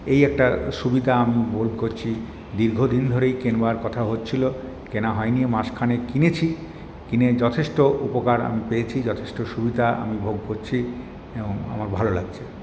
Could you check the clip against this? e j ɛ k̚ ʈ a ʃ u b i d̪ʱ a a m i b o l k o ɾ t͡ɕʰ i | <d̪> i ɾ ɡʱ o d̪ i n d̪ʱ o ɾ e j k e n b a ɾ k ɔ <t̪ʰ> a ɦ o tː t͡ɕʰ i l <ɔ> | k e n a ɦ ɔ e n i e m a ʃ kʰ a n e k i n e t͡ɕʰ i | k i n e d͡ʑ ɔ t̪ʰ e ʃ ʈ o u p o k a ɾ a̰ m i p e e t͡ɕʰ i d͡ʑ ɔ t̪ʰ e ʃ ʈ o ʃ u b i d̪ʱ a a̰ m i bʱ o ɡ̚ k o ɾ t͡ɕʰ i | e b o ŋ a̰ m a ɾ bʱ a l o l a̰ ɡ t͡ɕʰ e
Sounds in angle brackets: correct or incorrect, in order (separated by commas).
correct, correct, incorrect